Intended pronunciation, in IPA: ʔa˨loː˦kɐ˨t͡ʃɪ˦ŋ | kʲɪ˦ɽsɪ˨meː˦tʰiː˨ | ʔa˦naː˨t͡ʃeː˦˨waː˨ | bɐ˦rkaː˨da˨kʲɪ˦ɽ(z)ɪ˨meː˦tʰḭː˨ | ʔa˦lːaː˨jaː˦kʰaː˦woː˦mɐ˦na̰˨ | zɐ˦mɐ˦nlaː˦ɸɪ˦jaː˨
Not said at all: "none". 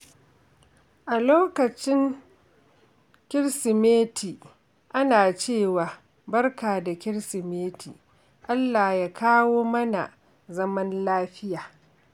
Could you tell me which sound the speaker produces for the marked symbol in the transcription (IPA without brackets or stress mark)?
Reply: s